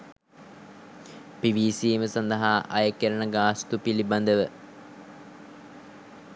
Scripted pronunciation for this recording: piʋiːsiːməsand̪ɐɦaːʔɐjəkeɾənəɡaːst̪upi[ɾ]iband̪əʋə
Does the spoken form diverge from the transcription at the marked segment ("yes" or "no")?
yes